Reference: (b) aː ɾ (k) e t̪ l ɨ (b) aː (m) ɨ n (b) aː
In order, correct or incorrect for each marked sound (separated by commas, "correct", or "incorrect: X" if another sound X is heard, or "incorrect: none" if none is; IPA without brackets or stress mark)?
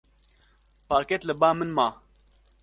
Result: incorrect: p, correct, correct, correct, incorrect: m